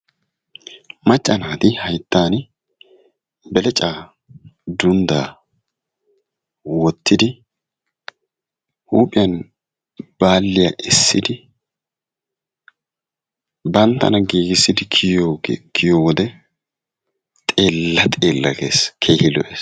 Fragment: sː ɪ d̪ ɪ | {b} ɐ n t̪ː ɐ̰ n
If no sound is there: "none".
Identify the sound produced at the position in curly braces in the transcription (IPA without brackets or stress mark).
b